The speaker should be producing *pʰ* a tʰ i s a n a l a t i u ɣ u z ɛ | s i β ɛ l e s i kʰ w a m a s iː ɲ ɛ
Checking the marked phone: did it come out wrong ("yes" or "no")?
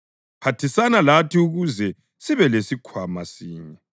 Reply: no